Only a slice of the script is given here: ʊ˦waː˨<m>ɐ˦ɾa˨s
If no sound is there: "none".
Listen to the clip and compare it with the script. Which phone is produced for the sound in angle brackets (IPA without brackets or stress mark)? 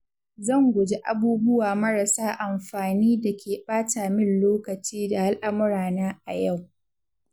m